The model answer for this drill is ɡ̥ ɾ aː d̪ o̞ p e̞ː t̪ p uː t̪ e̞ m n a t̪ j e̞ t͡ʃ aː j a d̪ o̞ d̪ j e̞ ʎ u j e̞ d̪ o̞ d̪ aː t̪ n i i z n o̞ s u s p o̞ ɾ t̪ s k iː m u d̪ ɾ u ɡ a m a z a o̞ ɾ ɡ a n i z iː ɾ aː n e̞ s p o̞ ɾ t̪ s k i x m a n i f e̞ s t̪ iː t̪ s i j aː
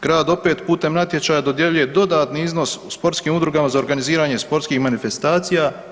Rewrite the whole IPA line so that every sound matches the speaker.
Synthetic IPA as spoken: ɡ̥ ɾ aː d̪ o̞ p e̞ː t̪ p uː t̪ e̞ m n a t̪ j e̞ t͡ʃ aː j a d̪ o̞ d̪ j e̞ ʎ u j e̞ d̪ o̞ d̪ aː t̪ n i i z n o̞ s u s p o̞ ɾ t̪ s k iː m u d̪ ɾ u ɡ a m a z a o̞ ɾ ɡ a n i z iː ɾ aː ɲ e̞ s p o̞ ɾ t̪ s k i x m a n i f e̞ s t̪ aː t̪ s i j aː